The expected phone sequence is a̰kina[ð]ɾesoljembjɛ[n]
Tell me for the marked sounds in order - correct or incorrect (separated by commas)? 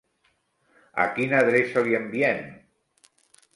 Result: correct, correct